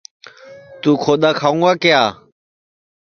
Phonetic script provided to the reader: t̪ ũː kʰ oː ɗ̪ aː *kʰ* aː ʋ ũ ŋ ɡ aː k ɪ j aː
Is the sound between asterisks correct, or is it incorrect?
correct